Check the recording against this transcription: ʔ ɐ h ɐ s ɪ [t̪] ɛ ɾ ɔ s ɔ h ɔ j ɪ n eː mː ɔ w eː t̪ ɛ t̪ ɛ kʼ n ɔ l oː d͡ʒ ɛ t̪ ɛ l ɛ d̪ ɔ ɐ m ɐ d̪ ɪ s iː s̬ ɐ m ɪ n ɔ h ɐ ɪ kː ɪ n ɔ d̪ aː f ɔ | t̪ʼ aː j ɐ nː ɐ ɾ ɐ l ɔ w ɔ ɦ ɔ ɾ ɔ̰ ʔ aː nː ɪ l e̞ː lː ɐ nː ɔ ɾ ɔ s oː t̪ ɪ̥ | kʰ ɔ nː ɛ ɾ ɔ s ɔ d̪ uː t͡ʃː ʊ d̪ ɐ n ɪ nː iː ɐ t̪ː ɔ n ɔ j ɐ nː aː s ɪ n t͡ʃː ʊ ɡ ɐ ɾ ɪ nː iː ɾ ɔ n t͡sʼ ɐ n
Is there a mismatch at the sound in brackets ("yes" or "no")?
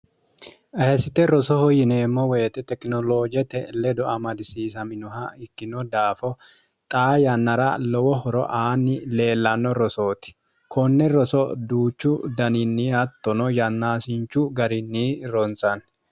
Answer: no